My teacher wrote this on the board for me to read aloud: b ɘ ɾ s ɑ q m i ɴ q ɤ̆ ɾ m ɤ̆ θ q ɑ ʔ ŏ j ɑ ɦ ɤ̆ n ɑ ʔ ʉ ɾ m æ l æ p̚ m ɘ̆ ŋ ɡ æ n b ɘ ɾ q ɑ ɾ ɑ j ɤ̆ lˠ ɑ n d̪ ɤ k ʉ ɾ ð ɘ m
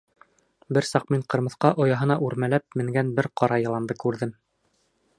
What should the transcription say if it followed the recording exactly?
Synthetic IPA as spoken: b ɘ ɾ s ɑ q m i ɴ q ɤ̆ ɾ m ɤ̆ θ q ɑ ʔ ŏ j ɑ ɦ ɤ̆ n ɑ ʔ ʉ ɾ m æ l æ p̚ m ɘ̆ ŋ ɡ æ n b ɘ ɾ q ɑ ɾ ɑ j ɤ̆ lˠ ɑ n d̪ ɤ k ʉ ɾ ð ɘ m